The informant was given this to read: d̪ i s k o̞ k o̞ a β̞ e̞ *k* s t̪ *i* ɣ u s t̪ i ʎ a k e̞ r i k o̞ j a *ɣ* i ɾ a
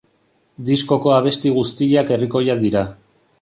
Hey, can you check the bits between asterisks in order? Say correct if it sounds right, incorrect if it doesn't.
incorrect, correct, incorrect

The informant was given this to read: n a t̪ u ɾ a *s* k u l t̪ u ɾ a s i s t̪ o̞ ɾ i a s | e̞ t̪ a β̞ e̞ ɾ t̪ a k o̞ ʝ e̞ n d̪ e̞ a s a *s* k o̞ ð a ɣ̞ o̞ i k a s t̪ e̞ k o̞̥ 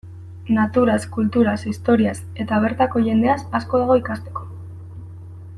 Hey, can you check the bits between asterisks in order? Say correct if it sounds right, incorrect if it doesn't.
correct, correct

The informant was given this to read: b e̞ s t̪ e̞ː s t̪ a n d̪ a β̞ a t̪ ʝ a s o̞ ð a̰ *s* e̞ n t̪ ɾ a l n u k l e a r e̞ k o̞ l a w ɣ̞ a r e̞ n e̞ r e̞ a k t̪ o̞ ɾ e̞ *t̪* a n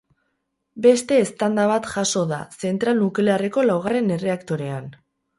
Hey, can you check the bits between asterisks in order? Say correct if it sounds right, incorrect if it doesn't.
correct, incorrect

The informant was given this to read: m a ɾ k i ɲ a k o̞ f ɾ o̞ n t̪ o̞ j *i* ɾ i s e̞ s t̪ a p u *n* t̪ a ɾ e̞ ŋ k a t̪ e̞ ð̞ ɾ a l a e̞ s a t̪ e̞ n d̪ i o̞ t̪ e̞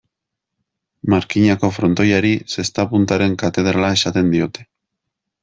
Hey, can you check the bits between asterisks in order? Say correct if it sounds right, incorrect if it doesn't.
incorrect, correct

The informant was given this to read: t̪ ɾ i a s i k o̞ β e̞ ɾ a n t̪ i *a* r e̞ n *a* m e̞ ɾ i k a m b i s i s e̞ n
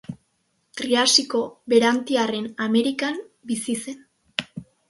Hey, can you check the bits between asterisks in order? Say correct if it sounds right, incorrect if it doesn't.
correct, correct

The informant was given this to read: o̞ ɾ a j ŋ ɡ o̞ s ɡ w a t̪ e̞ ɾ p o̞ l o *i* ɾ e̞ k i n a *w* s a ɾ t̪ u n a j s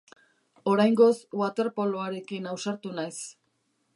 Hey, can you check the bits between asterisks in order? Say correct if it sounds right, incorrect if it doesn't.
incorrect, correct

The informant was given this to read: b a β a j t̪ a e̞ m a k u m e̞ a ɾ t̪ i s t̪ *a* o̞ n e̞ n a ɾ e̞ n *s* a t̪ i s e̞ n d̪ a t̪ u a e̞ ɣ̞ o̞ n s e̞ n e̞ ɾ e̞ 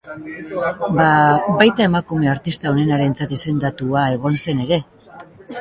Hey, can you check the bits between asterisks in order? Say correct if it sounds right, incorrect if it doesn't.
correct, incorrect

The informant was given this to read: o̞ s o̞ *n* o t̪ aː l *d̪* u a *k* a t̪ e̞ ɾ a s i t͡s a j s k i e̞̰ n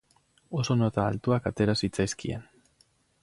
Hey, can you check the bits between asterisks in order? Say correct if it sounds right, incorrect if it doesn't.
correct, incorrect, correct

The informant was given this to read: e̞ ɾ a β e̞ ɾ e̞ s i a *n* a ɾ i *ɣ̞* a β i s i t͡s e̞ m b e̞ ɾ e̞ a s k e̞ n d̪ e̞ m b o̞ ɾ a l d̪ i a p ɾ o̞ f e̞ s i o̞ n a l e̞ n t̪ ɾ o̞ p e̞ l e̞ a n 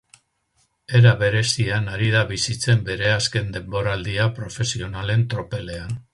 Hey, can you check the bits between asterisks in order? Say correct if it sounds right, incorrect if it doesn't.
correct, incorrect

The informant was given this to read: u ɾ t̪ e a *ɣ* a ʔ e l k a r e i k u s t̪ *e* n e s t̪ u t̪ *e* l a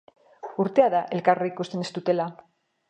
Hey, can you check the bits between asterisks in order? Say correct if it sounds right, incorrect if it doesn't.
incorrect, correct, correct

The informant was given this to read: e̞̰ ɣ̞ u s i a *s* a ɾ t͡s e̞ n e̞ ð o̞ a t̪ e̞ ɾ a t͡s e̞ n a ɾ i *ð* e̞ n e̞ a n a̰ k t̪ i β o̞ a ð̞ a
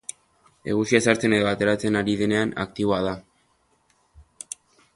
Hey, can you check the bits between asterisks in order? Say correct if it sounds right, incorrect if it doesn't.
correct, correct

